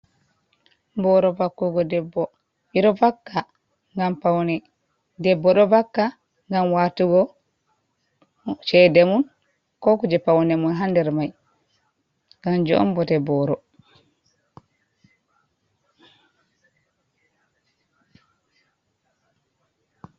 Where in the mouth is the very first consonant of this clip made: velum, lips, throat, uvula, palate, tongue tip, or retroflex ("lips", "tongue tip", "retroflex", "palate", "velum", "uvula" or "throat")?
lips